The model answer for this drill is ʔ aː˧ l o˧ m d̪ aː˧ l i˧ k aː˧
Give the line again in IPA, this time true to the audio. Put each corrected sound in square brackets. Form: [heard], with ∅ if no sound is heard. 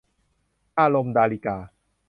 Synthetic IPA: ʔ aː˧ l o˧ m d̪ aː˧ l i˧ k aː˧